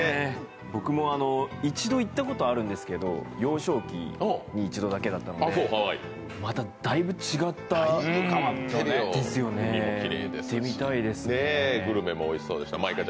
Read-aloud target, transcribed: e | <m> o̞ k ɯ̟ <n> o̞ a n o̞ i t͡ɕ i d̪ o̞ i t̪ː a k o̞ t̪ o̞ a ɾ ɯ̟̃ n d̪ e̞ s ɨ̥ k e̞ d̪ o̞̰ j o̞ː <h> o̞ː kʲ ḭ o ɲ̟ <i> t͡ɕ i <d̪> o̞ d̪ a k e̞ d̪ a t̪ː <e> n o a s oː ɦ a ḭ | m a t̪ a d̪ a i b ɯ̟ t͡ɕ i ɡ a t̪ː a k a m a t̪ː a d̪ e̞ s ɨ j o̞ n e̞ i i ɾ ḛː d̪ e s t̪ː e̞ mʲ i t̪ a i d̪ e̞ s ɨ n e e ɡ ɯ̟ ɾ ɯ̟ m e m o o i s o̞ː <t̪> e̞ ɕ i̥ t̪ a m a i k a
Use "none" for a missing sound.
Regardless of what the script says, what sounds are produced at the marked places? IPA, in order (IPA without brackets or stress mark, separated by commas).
b, m, ɕ, iː, d̪, a, d̪